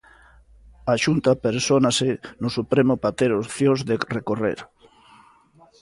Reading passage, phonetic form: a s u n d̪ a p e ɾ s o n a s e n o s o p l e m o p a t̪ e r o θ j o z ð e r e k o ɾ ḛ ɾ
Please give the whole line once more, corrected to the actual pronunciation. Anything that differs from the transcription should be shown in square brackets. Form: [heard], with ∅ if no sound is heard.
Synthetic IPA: a [ʃ] u n [t̪] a p e ɾ s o n a s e n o s [u] p [ɾ] e m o p a t̪ e [ɾ] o θ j o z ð e r e k o [r] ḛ ɾ